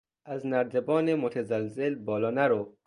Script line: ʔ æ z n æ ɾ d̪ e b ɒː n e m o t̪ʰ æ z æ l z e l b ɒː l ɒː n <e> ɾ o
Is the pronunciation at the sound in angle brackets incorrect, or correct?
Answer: incorrect